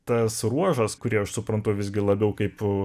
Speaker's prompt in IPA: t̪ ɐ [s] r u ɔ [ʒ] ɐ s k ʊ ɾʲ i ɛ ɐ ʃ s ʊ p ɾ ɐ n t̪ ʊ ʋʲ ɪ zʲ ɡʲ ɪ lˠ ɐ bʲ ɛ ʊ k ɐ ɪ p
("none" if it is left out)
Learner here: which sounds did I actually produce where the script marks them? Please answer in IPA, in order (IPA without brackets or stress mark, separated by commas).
s, ʒ